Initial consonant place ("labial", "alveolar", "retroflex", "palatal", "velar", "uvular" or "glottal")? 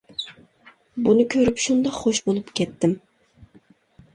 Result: labial